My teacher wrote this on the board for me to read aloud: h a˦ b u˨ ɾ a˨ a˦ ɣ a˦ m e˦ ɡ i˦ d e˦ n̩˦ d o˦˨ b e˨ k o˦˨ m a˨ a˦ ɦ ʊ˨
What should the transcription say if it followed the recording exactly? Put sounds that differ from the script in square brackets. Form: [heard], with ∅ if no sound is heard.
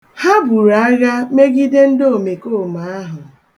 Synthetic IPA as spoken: h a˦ b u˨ ɾ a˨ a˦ ɣ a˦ m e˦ ɡ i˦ d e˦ n̩˦ d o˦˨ [m] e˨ k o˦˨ m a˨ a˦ ɦ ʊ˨